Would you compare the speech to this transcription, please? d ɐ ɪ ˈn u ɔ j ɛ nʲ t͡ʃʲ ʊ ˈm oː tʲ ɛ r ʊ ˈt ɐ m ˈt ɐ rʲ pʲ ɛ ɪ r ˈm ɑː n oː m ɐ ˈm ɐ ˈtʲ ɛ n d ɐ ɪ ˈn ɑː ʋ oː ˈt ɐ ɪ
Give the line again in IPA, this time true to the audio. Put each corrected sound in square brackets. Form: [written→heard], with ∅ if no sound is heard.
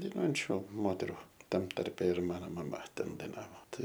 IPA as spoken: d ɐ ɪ ˈn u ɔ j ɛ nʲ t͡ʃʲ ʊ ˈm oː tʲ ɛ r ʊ ˈt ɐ m ˈt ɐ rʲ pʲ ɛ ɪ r ˈm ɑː n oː m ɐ ˈm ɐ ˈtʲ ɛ n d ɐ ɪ ˈn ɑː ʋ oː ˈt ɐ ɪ